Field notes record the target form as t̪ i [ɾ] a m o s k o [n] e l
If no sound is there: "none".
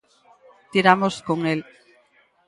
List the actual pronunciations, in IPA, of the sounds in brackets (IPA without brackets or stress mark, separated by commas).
ɾ, ŋ